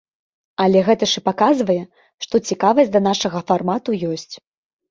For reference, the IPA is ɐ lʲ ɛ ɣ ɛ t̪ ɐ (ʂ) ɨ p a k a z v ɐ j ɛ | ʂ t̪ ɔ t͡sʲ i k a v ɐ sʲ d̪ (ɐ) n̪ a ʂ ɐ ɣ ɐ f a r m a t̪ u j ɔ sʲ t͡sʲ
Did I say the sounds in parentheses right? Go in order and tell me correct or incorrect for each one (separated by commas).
correct, correct